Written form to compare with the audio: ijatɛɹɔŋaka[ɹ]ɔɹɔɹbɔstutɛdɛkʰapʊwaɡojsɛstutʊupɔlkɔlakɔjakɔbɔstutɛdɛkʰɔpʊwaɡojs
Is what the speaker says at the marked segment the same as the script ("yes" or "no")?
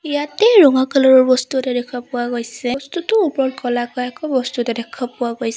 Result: no